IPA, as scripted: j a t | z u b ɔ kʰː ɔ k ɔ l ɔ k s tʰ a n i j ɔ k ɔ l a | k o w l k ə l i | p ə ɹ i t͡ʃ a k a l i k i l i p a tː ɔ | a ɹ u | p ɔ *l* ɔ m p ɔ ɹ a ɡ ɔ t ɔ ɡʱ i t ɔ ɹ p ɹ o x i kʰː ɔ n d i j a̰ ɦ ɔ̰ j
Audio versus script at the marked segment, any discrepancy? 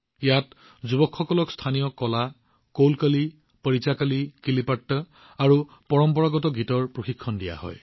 yes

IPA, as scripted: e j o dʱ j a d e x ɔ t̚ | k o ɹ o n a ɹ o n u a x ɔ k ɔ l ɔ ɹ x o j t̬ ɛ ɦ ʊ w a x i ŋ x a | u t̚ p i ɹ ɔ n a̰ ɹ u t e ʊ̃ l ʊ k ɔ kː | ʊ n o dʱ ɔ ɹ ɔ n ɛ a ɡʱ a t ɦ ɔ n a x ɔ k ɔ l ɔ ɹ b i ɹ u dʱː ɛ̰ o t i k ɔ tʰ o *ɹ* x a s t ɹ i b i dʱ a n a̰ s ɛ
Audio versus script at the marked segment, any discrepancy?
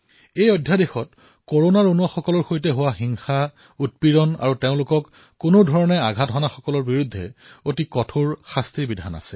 no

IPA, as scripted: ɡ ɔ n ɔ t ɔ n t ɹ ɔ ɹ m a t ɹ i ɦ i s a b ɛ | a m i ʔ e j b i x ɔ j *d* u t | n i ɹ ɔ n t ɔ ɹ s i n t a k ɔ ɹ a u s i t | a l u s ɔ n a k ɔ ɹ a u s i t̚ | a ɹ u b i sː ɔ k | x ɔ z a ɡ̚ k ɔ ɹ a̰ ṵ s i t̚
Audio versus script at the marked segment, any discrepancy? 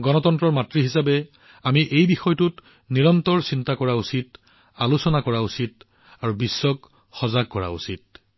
yes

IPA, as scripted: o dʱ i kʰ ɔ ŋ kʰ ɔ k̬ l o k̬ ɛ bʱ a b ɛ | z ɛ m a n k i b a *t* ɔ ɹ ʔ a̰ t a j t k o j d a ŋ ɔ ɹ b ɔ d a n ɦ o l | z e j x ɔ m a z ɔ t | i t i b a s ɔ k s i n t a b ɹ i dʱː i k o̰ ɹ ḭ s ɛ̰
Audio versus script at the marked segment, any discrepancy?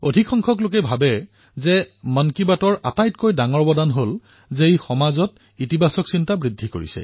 no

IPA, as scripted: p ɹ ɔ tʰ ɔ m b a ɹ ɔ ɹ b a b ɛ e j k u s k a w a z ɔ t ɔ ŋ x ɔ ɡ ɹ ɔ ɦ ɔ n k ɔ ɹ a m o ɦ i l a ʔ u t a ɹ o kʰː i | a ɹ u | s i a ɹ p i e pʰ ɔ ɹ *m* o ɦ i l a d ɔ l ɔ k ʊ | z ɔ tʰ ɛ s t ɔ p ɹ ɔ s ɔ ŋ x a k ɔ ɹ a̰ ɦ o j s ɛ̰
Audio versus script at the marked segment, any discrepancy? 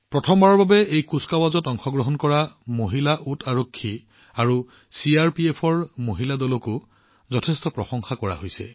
no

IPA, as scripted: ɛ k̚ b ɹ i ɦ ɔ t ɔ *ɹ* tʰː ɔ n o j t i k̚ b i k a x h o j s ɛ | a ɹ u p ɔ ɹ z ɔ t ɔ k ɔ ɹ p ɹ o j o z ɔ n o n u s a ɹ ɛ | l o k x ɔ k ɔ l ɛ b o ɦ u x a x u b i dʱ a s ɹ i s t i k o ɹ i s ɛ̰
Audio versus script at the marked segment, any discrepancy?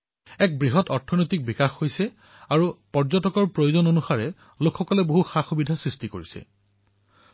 no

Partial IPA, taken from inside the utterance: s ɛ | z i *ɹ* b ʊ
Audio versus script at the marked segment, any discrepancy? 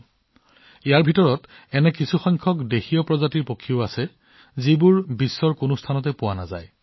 yes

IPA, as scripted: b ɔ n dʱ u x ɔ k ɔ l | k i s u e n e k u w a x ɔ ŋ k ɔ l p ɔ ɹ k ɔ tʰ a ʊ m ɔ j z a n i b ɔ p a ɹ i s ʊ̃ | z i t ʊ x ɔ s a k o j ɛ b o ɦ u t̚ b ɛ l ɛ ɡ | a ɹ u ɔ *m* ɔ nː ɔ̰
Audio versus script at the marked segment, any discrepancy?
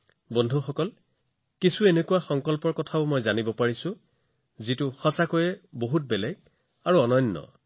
yes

